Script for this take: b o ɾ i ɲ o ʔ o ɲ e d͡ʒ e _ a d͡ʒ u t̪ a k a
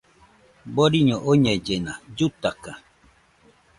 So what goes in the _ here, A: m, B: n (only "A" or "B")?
B